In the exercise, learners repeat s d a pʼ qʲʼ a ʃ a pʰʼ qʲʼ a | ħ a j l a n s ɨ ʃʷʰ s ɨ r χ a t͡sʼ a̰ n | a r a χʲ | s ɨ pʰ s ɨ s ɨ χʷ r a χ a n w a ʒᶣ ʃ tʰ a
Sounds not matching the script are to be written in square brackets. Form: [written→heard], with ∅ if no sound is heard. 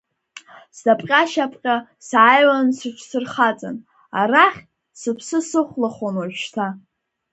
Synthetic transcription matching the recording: s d a pʼ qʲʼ a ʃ a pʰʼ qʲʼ a | [ħ→s] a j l a n s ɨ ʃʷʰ s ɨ r χ a t͡sʼ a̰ n | a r a χʲ | s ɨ pʰ s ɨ s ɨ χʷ [r→l] a χ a n w a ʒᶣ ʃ tʰ a